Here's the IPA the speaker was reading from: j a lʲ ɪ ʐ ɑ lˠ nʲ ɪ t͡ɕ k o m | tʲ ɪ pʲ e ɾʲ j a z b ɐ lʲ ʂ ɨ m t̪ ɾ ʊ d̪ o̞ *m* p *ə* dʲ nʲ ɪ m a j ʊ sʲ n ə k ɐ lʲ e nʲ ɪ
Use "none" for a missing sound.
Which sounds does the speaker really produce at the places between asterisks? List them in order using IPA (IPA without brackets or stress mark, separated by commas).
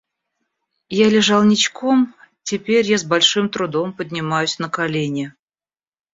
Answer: m, ə